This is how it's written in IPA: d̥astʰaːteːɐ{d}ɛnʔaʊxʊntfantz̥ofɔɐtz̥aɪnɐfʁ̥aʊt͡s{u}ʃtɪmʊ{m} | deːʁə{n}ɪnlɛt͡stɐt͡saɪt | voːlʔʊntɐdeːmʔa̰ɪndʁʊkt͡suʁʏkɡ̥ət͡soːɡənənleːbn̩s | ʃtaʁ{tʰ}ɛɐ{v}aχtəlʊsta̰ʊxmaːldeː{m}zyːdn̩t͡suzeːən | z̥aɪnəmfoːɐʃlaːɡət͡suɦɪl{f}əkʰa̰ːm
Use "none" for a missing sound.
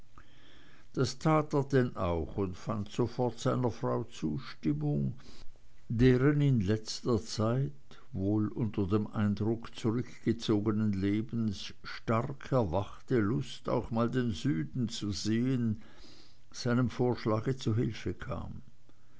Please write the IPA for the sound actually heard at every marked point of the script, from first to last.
d, uː, ŋ, n, kʰ, v, n, f

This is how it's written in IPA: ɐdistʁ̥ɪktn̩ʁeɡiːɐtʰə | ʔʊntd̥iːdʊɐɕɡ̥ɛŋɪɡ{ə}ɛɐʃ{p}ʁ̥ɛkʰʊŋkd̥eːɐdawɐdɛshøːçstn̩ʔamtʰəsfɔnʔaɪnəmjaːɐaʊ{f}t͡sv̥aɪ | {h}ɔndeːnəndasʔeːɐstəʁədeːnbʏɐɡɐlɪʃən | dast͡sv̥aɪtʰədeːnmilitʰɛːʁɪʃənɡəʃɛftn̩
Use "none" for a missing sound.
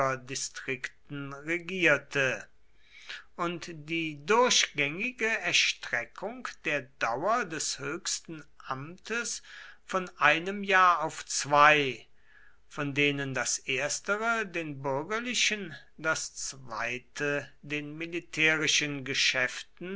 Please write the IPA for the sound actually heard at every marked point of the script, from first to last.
ə, t, f, f

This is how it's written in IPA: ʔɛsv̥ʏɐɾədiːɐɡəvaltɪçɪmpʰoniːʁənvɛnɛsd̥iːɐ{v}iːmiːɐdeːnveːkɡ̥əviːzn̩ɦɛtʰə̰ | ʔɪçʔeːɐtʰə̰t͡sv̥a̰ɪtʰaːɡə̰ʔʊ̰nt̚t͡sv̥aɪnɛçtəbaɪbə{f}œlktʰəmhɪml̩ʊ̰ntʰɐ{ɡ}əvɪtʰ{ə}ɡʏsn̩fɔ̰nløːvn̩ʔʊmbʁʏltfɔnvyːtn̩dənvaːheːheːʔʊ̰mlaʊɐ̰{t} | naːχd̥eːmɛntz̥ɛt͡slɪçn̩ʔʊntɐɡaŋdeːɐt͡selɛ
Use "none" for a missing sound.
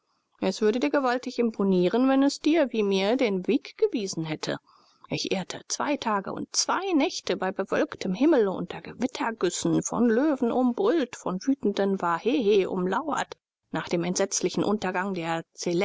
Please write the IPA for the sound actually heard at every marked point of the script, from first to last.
v, v, ɡ, ɐ, t

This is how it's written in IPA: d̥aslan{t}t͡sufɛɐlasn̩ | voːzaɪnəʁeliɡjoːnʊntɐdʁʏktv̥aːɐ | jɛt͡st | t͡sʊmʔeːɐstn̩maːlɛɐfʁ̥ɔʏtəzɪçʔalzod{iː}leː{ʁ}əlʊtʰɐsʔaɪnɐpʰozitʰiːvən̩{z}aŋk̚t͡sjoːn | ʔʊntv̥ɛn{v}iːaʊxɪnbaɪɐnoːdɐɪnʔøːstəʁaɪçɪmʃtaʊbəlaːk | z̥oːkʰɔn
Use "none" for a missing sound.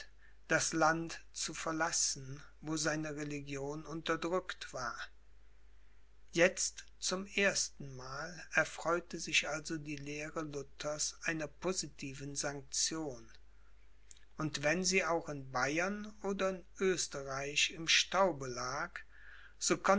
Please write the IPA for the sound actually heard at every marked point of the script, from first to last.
t, iː, ʁ, z, z

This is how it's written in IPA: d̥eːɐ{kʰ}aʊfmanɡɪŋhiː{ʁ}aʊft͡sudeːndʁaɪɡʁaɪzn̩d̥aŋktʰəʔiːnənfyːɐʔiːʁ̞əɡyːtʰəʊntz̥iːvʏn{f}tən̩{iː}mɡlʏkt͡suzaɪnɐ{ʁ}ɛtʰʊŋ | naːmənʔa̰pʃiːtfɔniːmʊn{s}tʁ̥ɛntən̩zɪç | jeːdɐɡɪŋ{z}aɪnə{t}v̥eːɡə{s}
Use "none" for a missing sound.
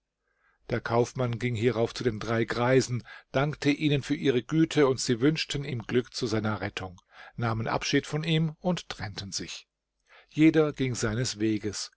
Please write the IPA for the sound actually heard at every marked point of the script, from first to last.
kʰ, ʁ, ʃ, iː, ʁ, t, z, s, s

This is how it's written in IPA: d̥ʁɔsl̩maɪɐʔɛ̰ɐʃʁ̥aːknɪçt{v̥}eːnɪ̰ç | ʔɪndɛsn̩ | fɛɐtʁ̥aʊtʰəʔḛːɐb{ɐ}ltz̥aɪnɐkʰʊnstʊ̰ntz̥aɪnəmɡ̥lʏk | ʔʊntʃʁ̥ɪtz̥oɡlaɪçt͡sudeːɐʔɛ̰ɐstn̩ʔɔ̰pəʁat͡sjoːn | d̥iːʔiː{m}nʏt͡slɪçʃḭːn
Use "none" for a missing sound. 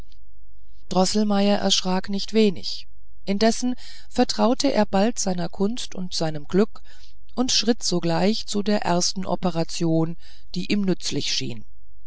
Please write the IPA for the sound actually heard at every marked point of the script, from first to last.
v̥, a, m

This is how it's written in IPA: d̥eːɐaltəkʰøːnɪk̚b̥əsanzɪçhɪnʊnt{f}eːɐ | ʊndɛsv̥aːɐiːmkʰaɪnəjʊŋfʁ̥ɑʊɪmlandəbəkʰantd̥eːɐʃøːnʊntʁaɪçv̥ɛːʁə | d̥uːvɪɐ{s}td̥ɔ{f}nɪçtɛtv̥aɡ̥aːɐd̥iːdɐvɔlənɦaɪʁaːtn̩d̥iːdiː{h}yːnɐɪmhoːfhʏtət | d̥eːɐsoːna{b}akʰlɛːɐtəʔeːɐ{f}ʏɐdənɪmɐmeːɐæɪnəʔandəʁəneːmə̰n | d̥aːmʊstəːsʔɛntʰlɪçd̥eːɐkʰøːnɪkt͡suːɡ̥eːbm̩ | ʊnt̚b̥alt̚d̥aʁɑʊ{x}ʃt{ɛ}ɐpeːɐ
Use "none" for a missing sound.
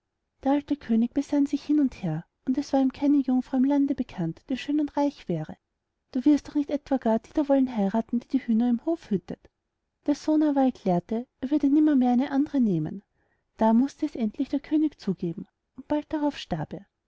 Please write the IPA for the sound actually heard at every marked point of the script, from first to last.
h, s, χ, h, v, v, f, a

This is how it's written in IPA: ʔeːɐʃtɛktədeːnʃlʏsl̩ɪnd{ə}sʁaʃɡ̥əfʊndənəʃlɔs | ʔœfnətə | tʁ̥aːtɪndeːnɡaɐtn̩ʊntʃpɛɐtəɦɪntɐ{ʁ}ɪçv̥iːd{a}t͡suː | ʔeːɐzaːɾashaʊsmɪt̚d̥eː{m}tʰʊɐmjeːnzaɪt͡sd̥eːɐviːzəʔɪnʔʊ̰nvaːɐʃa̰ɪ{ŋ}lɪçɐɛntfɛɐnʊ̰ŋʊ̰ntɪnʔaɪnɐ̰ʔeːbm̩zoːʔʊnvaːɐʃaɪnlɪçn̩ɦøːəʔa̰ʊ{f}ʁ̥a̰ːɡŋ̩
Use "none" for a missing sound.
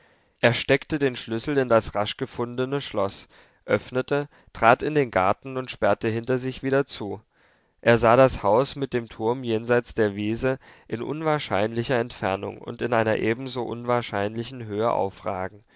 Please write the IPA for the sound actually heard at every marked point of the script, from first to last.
a, z, ɐ, m, n, f

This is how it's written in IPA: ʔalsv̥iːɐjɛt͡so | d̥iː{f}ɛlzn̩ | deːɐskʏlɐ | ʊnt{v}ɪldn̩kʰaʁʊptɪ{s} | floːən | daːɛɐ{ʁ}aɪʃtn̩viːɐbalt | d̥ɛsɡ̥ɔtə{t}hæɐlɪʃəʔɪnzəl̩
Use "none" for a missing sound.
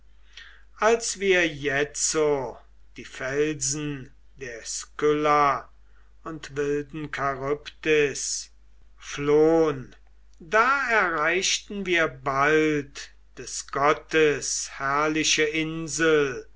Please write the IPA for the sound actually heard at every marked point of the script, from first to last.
f, v, s, ʁ, s

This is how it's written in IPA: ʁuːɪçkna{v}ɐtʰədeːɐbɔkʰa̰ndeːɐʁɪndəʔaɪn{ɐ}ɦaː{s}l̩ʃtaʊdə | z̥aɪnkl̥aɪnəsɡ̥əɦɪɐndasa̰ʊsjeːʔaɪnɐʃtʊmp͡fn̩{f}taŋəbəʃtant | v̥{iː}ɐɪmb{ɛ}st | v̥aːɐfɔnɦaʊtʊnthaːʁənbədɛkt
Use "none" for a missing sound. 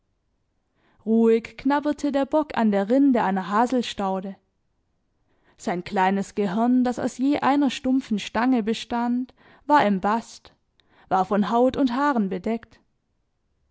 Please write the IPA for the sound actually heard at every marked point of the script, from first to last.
b, ɐ, z, ʃ, aː, a

